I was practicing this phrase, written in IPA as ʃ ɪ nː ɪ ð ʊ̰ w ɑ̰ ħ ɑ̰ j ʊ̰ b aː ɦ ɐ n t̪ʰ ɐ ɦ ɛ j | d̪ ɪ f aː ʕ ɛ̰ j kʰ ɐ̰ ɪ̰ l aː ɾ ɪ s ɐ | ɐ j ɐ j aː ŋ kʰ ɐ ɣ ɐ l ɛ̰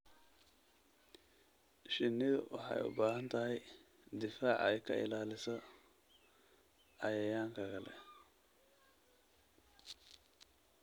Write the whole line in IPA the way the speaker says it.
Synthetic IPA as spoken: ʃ ɪ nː ɪ ð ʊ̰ w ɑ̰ ħ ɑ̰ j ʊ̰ b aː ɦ ɐ n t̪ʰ ɐ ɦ ɛ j | d̪ ɪ f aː ʕ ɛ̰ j kʰ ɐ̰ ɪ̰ l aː l ɪ s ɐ | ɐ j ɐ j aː ŋ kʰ ɐ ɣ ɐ l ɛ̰